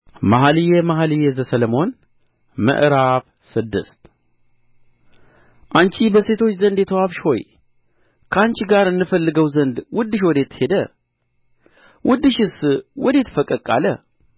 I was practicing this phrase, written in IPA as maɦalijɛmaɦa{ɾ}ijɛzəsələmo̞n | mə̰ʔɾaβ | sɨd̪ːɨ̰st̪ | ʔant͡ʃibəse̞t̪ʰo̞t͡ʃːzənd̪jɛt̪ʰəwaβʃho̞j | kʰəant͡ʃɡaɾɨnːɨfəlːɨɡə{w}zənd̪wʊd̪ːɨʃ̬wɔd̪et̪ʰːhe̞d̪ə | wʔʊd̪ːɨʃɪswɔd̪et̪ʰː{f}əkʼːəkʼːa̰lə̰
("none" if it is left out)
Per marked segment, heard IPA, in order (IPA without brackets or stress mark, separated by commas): l, w, f